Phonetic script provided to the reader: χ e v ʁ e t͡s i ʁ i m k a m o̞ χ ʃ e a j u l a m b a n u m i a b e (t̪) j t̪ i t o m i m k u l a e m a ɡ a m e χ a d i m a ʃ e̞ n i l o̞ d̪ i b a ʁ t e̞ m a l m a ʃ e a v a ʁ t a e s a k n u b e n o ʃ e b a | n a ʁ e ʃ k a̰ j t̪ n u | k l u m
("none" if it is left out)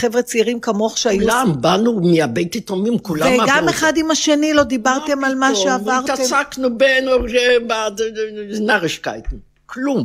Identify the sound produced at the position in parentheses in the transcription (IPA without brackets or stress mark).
none